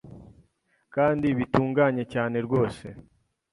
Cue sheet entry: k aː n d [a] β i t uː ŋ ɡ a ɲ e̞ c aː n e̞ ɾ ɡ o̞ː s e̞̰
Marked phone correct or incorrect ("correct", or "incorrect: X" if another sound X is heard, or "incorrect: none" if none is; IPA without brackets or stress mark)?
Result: incorrect: i